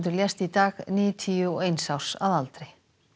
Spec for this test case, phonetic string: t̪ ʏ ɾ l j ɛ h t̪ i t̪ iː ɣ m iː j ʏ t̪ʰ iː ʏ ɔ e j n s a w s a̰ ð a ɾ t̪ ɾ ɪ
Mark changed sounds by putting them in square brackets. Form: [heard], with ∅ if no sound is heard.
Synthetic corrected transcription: t̪ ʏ ɾ l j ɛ [s] t̪ i t̪ [aː] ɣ [n] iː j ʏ t̪ʰ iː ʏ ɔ e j n s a w s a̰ ð a [l] t̪ ɾ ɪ

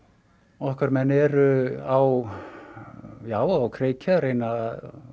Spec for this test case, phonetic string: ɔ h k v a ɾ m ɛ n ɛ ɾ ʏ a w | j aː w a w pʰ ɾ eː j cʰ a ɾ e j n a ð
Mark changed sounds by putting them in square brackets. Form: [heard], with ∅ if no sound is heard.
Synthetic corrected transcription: ɔ h k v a ɾ m ɛ n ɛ ɾ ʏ a w | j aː w a w [kʰ] ɾ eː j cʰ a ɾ e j n a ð

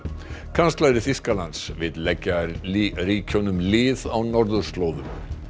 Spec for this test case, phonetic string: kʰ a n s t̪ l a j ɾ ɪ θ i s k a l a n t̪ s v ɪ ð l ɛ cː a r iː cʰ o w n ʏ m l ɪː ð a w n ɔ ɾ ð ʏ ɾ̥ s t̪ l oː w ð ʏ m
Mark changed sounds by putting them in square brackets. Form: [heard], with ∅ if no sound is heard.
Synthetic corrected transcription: kʰ a n s t̪ l a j ɾ ɪ θ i s k a l a n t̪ s v ɪ ð l ɛ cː a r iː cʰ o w n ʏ m l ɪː ð a w n ɔ ɾ ð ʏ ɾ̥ s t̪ l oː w ð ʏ m

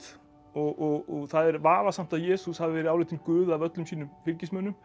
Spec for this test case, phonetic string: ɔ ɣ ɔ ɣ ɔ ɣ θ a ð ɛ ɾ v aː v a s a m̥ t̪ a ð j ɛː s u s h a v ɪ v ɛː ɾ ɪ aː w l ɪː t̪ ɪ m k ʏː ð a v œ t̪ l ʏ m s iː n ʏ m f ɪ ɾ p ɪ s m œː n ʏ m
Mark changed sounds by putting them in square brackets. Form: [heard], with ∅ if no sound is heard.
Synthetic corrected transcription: ɔ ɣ ɔ ɣ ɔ ɣ θ a ð ɛ ɾ v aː v a s a m̥ t̪ a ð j ɛː s u s h a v ɪ v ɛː ɾ ɪ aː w l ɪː t̪ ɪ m k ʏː ð a v œ t̪ l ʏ m s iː n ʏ m f ɪ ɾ [c] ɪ s m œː n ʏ m

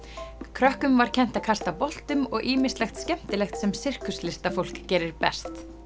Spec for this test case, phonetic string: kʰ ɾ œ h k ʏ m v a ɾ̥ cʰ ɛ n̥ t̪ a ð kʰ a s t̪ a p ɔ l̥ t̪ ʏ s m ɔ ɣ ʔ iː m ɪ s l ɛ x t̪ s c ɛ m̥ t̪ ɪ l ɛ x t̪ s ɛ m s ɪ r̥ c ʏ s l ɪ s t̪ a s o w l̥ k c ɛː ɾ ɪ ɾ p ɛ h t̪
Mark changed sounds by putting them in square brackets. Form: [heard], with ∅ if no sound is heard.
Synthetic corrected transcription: kʰ ɾ œ h k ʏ m v a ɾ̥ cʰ ɛ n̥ t̪ a ð kʰ a s t̪ a p ɔ l̥ t̪ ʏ [∅] m ɔ ɣ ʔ iː m ɪ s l ɛ x t̪ s c ɛ m̥ t̪ ɪ l ɛ x t̪ s ɛ m s ɪ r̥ [k] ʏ s l ɪ s t̪ a [f] o w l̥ k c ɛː ɾ ɪ ɾ p ɛ [s] t̪

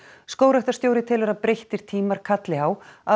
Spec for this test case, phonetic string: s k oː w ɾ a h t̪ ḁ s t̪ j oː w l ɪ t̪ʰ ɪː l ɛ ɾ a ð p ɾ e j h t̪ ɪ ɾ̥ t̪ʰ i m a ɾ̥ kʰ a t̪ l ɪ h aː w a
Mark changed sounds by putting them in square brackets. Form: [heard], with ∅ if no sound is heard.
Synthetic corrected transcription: s k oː w ɾ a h t̪ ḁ s t̪ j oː w [ɾ] ɪ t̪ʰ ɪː l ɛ ɾ a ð p ɾ e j h t̪ ɪ ɾ̥ t̪ʰ [iː] m a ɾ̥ kʰ a t̪ l ɪ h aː w a

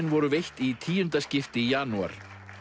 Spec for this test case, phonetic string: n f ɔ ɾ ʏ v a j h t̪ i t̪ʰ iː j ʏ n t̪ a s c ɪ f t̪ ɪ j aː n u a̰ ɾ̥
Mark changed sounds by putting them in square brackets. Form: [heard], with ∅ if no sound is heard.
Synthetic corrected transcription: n [v] ɔ ɾ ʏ v [e] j h t̪ i t̪ʰ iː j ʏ n t̪ a s c ɪ f t̪ ɪ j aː n u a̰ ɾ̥

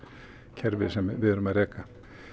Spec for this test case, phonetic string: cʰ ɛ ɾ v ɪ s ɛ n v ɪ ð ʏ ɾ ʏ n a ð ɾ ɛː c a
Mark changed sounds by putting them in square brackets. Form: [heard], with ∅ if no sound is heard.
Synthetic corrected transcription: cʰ ɛ ɾ v ɪ s ɛ [m] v ɪ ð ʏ ɾ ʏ [m] a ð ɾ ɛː [k] a

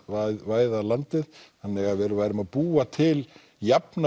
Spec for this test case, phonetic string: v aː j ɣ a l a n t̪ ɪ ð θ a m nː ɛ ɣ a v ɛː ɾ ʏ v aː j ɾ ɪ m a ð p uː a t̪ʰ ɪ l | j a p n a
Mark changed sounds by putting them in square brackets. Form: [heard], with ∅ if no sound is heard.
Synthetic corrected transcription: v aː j [ð] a l a n t̪ ɪ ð [h] a [∅] nː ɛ ɣ a v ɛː ɾ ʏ v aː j ɾ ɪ m a ð p uː a t̪ʰ ɪ l | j a p n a

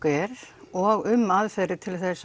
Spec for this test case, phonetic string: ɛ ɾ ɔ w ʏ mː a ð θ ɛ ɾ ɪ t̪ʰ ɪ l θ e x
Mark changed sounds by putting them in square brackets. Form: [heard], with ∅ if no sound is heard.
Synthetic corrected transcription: ɛ ɾ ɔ [ɣ] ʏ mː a ð [f] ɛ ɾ ɪ t̪ʰ ɪ l θ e [s]

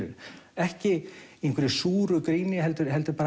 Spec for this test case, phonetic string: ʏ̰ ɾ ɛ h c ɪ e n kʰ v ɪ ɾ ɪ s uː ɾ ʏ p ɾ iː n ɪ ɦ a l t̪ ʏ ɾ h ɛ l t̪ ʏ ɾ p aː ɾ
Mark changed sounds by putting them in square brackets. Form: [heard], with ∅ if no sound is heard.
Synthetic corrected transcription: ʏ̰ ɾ ɛ h c ɪ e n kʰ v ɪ ɾ ɪ s uː ɾ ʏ [k] ɾ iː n ɪ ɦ [ɛ] l t̪ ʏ ɾ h ɛ l t̪ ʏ ɾ p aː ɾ

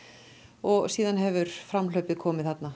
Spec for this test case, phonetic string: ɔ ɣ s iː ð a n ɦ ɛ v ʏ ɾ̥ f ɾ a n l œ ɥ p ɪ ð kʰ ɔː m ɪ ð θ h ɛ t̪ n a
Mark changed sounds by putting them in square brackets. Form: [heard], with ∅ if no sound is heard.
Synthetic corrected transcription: ɔ ɣ s iː ð a n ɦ ɛ v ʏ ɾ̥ f ɾ a [m] l œ ɥ p ɪ ð kʰ ɔː m ɪ ð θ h [a] t̪ n a

